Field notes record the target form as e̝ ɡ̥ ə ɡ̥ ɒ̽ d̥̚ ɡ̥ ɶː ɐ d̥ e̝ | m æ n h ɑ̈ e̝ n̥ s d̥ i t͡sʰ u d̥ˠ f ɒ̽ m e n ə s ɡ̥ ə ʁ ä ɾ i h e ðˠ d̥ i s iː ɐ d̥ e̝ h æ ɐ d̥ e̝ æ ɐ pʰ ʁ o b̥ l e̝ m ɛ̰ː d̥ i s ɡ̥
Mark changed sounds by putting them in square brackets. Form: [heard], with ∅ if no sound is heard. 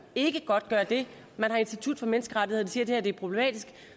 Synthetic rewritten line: e̝ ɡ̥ ə ɡ̥ ɒ̽ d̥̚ ɡ̥ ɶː ɐ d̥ e̝ | m æ n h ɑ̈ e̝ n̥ s d̥ i t͡sʰ u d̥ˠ f ɒ̽ m e n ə s ɡ̥ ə ʁ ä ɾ i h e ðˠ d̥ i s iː ɐ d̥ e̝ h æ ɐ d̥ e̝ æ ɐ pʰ ʁ o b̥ l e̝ m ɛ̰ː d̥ i s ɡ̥